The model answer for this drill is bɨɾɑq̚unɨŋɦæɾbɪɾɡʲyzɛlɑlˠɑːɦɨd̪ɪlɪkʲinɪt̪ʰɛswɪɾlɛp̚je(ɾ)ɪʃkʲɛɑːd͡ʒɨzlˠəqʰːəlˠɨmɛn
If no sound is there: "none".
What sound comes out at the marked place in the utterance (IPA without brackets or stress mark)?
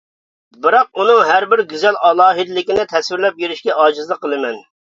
ɾ